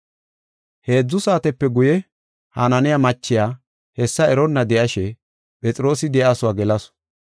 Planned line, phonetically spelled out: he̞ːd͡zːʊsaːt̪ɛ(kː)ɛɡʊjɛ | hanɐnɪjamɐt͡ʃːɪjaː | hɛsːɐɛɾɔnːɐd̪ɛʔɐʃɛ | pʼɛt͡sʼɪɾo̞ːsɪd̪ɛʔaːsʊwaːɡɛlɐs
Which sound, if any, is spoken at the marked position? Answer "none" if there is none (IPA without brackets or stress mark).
pː